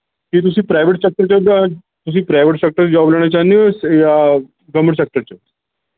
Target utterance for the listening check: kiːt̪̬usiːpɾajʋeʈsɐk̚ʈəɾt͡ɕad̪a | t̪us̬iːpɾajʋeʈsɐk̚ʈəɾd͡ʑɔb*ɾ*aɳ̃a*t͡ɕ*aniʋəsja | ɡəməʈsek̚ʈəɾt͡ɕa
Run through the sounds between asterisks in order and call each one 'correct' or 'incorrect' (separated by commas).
incorrect, correct